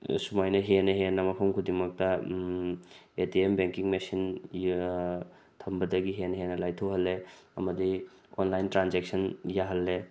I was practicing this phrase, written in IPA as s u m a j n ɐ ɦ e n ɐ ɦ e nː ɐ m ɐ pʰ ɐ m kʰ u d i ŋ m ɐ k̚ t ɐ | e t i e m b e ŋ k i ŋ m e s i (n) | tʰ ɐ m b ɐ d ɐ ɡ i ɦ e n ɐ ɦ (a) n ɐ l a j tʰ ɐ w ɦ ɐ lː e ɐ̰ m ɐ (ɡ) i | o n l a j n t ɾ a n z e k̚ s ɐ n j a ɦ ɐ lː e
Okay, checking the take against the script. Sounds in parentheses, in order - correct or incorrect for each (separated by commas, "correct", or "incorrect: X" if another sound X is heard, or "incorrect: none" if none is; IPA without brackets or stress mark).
correct, incorrect: e, incorrect: d